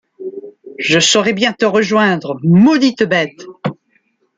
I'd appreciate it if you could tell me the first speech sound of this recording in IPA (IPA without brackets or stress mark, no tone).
ʒ